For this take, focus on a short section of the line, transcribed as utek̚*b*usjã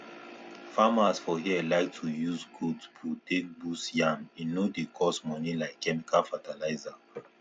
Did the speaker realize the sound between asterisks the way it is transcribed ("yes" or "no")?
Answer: yes